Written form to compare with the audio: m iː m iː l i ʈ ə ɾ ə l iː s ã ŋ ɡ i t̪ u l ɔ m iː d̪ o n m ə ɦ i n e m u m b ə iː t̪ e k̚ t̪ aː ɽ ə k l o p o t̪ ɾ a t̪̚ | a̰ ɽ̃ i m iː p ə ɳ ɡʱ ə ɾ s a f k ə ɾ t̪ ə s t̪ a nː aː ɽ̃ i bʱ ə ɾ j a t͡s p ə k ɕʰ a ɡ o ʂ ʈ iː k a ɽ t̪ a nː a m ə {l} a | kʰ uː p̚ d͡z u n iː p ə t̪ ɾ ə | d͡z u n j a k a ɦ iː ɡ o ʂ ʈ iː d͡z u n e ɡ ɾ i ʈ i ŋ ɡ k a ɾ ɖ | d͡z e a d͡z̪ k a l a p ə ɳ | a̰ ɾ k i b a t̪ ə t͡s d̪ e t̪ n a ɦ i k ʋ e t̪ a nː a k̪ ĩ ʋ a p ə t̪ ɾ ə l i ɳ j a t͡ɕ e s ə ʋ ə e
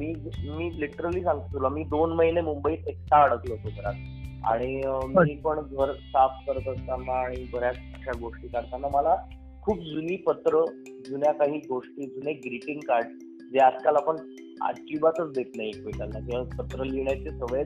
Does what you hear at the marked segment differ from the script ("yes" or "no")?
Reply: no